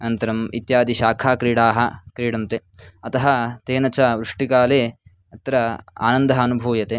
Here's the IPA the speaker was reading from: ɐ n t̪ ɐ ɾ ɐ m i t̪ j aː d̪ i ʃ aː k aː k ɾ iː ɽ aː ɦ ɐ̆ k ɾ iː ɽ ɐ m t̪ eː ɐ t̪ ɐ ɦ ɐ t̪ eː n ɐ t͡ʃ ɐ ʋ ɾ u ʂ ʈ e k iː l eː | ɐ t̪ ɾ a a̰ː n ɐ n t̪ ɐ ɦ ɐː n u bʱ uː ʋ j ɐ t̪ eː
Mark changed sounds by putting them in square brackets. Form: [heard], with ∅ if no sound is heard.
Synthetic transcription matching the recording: ɐ n t̪ ɐ ɾ ɐ m i t̪ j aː d̪ i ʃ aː [kʰ] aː k ɾ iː ɽ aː ɦ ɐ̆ k ɾ iː ɽ ɐ m t̪ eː ɐ t̪ ɐ ɦ ɐ t̪ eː n ɐ t͡ʃ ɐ ʋ ɾ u ʂ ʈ [i] k [aː] l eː | ɐ t̪ ɾ [ɐ] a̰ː n ɐ n [d̪] ɐ ɦ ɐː n u bʱ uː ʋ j ɐ t̪ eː